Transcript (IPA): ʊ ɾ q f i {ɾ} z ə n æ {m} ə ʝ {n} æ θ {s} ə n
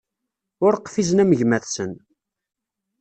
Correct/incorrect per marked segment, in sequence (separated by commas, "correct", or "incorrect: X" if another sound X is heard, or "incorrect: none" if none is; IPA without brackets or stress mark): incorrect: none, correct, incorrect: m, correct